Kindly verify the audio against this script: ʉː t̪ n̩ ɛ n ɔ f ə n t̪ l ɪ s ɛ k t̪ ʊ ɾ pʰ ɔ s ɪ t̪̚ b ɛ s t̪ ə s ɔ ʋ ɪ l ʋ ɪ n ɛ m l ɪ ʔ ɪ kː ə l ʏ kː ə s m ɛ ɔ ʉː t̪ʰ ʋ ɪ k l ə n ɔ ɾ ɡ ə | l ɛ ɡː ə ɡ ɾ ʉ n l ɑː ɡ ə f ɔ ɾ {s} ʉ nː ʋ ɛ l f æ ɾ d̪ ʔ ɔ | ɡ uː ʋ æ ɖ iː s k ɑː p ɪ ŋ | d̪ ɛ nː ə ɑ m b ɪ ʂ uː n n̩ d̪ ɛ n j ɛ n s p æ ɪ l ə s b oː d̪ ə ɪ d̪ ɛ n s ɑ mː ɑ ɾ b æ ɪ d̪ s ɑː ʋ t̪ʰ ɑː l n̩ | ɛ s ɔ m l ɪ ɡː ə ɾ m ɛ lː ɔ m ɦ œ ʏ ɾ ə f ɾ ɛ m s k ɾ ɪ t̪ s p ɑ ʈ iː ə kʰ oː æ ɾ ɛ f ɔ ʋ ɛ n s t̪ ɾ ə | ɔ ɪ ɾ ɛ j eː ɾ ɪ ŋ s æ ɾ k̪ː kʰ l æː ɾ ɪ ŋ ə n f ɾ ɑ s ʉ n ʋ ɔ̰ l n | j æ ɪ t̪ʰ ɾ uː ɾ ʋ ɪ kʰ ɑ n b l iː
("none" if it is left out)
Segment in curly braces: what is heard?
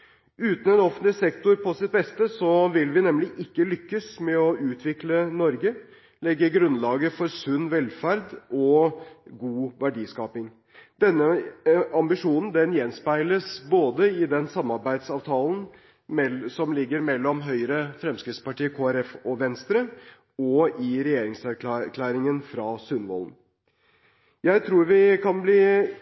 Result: s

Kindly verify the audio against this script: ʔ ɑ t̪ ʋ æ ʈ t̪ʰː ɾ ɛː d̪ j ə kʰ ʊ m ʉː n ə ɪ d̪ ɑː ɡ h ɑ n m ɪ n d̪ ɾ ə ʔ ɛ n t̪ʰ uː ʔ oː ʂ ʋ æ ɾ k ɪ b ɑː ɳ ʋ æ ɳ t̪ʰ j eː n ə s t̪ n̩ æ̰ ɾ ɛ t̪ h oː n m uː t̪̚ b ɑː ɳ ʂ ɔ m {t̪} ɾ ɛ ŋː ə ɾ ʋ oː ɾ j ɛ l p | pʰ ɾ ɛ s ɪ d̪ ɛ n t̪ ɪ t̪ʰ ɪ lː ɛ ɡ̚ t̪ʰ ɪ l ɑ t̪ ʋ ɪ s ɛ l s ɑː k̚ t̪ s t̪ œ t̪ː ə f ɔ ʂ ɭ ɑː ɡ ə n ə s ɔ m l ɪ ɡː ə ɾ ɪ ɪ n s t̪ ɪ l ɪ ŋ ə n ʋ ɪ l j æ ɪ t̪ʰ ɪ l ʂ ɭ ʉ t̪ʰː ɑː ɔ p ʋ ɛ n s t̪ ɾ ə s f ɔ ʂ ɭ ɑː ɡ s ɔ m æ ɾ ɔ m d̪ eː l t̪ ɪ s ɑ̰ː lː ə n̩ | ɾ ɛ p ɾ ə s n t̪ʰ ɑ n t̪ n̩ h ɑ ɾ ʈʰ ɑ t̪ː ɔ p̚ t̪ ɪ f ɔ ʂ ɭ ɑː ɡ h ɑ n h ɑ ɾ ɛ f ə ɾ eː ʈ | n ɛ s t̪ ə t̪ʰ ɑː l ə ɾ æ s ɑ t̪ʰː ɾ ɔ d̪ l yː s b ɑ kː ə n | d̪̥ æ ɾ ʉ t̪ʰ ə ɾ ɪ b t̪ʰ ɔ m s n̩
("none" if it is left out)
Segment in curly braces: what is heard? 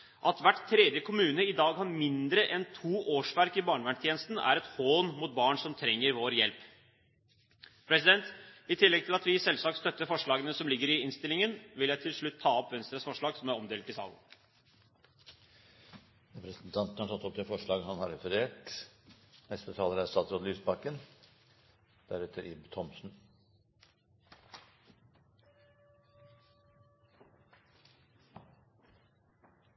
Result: t̪ʰ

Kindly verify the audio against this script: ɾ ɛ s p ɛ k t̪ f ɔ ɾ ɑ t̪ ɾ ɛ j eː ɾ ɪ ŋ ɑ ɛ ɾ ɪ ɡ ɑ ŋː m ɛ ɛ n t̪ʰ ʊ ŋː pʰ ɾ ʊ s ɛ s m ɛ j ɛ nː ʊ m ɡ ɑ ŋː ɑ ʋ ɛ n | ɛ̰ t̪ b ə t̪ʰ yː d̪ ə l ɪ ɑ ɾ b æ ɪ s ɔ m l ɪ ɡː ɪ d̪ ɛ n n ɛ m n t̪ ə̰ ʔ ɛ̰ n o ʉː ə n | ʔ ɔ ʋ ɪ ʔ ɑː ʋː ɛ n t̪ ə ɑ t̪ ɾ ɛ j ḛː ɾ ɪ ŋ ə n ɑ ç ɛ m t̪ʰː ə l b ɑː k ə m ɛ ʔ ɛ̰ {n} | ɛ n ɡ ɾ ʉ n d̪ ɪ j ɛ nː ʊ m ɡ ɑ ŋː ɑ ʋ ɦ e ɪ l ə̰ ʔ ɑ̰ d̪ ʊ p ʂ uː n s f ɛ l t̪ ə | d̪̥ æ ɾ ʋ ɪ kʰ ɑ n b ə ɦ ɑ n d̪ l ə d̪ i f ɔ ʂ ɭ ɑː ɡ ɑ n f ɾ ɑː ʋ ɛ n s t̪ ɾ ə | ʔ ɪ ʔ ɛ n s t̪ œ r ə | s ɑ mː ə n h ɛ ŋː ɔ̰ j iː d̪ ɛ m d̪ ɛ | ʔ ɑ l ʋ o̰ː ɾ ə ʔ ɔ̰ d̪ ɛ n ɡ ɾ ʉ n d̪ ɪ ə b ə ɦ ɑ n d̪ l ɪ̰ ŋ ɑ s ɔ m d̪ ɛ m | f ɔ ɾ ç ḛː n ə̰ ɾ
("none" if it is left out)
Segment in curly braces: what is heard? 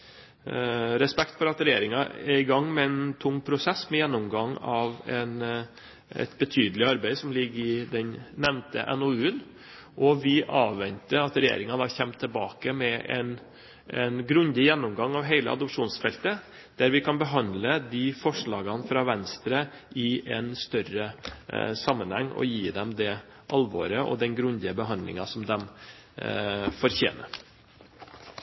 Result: n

